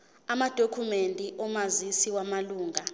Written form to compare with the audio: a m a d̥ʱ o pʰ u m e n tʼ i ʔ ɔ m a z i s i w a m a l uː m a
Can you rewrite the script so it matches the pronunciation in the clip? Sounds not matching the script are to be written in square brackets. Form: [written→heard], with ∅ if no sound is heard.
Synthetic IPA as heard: a m a d̥ʱ o [pʰ→kʰ] u m e n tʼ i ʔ ɔ m a z i s i w a m a l uː [m→ŋ] a

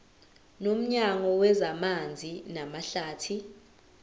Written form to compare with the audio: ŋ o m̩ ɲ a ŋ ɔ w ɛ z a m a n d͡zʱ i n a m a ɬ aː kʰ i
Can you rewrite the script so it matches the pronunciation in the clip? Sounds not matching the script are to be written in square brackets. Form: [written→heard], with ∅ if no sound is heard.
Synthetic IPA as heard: [ŋ→n] o m̩ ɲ a ŋ ɔ w ɛ z a m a n d͡zʱ i n a m a ɬ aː [kʰ→tʰ] i

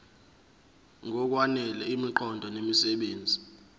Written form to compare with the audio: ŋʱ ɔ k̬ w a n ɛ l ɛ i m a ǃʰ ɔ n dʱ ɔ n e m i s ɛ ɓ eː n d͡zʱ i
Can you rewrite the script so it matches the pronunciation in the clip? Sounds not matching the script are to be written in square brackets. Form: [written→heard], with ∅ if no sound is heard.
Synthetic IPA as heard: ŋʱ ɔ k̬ w a n ɛ l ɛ i m [a→i] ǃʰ ɔ n dʱ ɔ n e m i s ɛ ɓ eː n d͡zʱ i

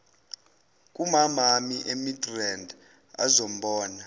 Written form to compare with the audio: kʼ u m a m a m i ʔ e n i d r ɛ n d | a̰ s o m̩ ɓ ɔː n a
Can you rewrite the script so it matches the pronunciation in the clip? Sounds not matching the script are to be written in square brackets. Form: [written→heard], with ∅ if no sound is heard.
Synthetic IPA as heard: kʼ u m a m a m i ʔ e [n→m] i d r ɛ n d | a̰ [s→z] o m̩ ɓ ɔː n a

